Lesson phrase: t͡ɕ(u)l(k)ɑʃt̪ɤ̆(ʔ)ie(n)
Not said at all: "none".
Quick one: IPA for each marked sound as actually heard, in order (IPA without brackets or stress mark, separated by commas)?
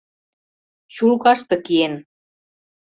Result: u, k, k, n